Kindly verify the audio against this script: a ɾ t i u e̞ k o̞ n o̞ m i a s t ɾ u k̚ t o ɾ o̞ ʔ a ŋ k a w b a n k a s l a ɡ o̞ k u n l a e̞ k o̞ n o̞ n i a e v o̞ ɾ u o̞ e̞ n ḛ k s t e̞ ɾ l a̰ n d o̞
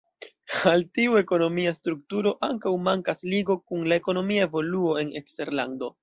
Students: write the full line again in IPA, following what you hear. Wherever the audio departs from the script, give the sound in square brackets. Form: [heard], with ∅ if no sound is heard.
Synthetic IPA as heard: a [l] t i u e̞ k o̞ n o̞ m i a s t ɾ u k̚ t [u] ɾ o̞ ʔ a ŋ k a w [m] a [ŋ] k a s l [i] ɡ o̞ k u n l a e̞ k o̞ n o̞ [m] i a e v o̞ [l] u o̞ e̞ n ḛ k s t e̞ ɾ l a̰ n d o̞